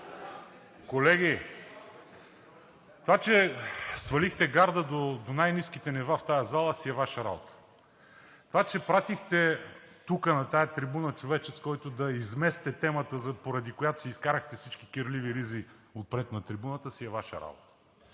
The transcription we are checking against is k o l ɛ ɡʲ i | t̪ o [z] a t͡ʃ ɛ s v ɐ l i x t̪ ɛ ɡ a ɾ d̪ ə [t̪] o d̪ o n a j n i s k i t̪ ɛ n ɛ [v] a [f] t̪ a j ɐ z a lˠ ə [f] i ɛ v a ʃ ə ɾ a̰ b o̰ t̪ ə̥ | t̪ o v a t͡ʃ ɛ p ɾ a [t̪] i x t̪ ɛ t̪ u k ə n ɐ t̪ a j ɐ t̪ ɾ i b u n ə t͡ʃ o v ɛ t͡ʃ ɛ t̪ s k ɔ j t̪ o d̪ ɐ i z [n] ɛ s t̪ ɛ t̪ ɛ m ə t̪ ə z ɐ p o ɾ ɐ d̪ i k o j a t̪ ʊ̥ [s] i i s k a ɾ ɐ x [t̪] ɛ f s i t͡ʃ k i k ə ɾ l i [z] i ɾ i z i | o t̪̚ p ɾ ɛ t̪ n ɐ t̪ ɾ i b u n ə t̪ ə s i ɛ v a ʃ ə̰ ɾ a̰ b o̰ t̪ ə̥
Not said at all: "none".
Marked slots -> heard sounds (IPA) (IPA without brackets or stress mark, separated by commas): v, d̪, v, f, s, t̪, m, s, t̪, v